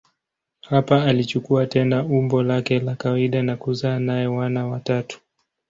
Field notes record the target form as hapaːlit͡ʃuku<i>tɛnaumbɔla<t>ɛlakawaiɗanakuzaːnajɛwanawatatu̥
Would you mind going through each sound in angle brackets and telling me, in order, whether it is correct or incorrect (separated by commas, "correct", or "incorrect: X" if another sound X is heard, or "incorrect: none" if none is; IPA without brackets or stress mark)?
incorrect: a, incorrect: k